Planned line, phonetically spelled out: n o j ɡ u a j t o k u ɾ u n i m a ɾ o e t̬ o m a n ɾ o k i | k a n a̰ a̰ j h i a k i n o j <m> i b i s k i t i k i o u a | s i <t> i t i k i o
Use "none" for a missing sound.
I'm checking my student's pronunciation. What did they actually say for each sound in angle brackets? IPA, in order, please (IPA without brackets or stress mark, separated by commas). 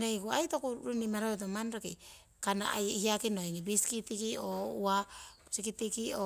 ŋ, k